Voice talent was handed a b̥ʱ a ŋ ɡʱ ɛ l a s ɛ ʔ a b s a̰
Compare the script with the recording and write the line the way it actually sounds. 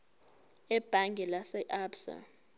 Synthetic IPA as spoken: ɛ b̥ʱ a ŋ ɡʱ ɛ l a s ɛ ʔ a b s a̰